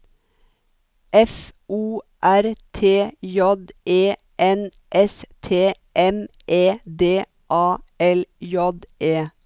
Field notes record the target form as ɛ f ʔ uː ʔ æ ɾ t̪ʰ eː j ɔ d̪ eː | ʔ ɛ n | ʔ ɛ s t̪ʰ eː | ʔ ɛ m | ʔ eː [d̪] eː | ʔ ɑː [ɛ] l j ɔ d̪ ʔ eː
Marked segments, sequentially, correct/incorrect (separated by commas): correct, correct